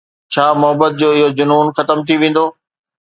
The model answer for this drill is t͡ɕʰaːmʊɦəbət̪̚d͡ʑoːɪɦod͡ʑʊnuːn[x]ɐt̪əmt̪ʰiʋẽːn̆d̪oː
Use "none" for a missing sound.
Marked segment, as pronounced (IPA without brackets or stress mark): x